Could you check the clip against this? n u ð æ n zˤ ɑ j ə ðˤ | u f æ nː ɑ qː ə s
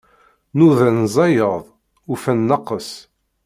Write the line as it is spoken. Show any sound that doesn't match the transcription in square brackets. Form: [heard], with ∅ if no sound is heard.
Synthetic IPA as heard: n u ð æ n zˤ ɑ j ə ðˤ | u f æ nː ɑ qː ə s